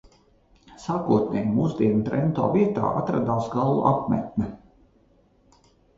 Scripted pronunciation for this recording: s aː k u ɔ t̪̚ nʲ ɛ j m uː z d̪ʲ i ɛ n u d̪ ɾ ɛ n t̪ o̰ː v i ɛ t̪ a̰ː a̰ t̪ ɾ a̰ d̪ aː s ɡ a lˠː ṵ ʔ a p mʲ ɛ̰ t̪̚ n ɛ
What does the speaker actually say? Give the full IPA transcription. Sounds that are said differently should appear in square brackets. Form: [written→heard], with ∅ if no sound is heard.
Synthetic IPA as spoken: s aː k u ɔ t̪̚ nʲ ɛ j m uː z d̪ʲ i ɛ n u [d̪→t̪] ɾ ɛ n t̪ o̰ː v i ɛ t̪ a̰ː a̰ t̪ ɾ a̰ d̪ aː s ɡ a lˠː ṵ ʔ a p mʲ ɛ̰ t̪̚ n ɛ